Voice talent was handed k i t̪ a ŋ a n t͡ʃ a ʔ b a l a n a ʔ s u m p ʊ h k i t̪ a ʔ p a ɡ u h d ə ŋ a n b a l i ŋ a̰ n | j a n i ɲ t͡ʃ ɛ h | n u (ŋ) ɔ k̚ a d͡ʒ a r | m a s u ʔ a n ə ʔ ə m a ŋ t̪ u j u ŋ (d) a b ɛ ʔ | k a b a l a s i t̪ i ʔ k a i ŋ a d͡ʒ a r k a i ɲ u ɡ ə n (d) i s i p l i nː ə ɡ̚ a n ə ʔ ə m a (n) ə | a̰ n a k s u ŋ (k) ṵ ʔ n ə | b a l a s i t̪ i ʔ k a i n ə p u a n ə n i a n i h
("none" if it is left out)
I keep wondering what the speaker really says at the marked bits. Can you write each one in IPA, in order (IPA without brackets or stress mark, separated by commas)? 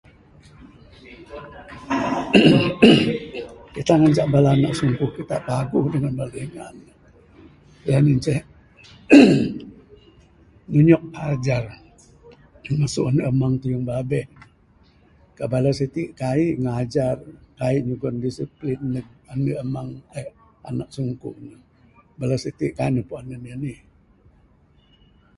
ɲ, b, d, ŋ, k